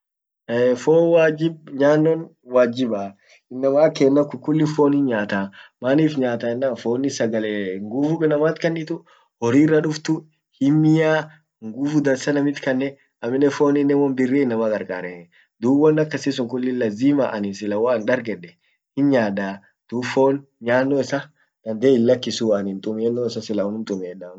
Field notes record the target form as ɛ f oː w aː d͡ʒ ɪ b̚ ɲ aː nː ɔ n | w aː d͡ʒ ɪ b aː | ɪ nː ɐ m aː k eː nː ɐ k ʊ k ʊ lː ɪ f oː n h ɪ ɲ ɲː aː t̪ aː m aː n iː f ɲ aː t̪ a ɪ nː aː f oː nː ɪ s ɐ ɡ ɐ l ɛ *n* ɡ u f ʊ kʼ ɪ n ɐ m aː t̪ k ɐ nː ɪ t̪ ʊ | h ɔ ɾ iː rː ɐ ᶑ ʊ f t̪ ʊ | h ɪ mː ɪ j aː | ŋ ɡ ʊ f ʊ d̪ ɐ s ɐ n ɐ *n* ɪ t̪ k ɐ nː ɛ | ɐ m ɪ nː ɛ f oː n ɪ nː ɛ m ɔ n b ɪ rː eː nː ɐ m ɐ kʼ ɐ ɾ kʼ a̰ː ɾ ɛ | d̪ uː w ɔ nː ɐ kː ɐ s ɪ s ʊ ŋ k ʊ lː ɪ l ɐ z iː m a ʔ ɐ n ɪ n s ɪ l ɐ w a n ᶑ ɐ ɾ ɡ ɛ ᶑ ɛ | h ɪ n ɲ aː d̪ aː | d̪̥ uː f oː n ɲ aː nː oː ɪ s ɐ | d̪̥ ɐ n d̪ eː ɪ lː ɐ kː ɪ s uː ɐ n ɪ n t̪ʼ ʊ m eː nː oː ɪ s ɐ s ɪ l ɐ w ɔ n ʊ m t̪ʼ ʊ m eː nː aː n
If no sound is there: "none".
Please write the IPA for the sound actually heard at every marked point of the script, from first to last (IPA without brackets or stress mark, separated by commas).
ŋ, m